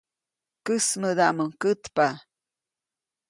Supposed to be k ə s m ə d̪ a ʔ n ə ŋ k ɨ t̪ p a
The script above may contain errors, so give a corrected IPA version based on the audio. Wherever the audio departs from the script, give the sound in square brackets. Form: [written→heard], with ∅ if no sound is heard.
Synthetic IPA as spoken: k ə s m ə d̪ a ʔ [n→m] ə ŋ k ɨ t̪ p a